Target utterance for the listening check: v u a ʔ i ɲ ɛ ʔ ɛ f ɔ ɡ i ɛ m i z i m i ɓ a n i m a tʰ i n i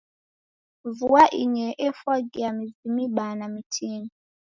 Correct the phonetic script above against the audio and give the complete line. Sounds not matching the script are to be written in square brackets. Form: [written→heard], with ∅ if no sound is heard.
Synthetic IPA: v u a ʔ i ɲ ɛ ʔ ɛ f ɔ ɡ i [ɛ→a] m i z i m i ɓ a n [i→a] m [a→i] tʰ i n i